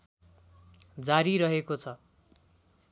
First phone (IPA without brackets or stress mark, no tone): d͡z